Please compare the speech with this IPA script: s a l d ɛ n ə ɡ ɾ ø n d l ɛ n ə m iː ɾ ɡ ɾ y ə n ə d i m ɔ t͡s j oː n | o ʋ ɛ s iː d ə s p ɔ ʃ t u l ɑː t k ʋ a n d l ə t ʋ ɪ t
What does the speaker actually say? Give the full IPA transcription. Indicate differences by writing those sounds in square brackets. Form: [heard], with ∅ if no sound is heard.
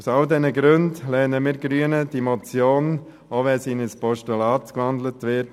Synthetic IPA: s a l d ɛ n ə ɡ ɾ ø n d l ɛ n ə m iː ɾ ɡ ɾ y ə n ə d i m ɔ t͡s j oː n | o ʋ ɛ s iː [n] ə s p ɔ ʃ t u l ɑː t k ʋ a n d l ə t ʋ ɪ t